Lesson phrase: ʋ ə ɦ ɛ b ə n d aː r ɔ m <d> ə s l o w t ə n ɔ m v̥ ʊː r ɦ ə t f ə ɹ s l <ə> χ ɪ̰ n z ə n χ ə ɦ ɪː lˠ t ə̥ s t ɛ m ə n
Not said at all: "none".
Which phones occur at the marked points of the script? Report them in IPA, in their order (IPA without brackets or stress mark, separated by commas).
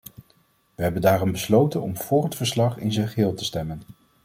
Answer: b, ɑ